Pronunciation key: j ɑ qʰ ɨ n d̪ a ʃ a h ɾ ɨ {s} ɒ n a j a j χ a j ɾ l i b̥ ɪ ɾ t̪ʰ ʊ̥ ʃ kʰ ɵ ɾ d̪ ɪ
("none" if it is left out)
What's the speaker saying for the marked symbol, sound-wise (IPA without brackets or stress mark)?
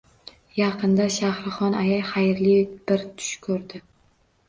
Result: χ